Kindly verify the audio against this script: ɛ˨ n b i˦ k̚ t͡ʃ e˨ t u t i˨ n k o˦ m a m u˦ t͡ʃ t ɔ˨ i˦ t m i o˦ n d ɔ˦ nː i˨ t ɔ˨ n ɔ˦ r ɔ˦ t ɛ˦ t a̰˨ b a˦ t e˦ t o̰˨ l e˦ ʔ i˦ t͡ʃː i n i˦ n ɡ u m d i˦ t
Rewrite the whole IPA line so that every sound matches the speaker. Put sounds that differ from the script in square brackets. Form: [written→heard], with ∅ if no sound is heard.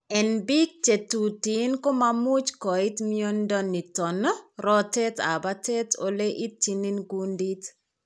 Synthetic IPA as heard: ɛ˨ n b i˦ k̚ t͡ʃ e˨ t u t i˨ n k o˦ m a m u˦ t͡ʃ [t→k] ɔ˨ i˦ t m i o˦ n d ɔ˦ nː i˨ t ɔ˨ n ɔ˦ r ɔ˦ t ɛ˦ t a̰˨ b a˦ t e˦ t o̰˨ l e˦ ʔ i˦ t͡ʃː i n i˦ n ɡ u [m→n] d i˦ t